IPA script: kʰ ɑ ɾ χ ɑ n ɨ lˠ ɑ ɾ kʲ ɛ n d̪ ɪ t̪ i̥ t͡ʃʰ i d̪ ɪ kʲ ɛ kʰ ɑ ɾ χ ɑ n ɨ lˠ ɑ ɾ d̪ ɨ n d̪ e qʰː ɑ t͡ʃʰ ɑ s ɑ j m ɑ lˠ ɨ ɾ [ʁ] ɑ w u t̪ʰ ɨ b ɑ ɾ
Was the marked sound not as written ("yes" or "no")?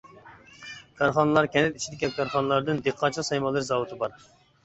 yes